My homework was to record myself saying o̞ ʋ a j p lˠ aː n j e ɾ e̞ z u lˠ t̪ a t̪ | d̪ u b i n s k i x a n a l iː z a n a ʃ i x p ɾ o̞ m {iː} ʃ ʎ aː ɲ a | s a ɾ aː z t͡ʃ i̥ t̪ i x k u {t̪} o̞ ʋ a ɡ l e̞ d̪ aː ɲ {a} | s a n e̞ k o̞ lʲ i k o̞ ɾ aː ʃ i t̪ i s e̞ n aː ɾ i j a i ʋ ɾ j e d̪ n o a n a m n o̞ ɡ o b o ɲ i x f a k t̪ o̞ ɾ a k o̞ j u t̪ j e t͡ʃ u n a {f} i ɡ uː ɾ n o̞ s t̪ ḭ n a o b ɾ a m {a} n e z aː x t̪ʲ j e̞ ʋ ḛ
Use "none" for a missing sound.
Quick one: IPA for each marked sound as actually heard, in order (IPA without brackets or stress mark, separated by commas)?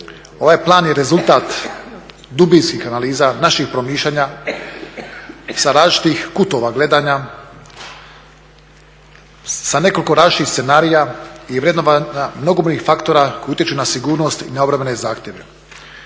iː, t̪, a, s, e